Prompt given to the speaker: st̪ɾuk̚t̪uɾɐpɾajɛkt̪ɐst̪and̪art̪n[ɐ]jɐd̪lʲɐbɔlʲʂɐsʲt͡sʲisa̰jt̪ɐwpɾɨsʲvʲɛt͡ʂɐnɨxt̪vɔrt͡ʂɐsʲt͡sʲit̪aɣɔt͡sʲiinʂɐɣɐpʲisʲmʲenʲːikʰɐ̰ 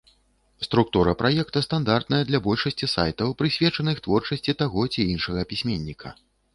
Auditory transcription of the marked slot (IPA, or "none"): ɐ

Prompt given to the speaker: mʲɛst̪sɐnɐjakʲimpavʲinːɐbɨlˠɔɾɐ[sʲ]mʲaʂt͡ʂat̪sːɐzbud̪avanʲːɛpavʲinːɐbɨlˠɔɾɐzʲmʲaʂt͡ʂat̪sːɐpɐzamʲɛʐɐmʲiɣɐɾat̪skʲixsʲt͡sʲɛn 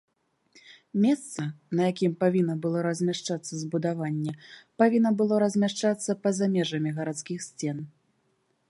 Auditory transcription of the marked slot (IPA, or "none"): zʲ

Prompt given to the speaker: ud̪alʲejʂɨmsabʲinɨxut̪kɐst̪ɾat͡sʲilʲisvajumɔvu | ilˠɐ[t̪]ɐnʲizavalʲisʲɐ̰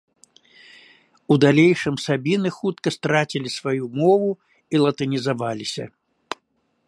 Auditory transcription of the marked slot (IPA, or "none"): t̪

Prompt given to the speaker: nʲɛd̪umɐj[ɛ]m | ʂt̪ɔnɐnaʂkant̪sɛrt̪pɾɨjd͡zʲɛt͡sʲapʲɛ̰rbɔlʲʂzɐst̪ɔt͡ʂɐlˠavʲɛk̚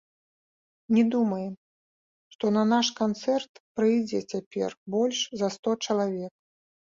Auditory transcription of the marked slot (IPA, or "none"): ɛ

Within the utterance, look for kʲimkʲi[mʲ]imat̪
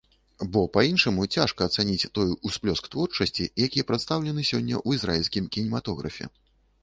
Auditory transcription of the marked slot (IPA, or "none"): nʲ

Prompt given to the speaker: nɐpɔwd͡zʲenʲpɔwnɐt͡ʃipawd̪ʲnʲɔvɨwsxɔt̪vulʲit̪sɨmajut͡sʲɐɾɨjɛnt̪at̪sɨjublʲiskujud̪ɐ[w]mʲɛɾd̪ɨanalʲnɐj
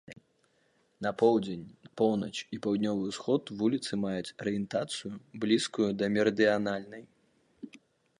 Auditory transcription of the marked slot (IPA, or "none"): none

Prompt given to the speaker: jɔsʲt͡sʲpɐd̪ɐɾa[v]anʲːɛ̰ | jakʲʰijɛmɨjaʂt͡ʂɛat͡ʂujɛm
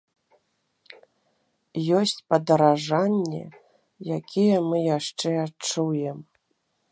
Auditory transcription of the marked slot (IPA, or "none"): ʐ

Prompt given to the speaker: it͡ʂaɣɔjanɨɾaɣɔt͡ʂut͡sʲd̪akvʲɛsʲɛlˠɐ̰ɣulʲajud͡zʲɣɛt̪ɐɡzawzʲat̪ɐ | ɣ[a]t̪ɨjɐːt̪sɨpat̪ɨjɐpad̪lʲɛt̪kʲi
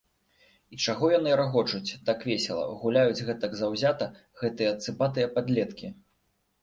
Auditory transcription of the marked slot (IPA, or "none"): ɛ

